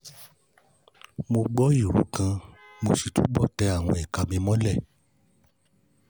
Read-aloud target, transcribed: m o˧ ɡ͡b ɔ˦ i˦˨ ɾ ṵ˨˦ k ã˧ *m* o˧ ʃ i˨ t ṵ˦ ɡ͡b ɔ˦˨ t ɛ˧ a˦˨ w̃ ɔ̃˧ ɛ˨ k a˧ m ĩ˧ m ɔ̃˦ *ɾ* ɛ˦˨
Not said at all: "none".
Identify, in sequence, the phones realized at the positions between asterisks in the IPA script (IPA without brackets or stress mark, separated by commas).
m, l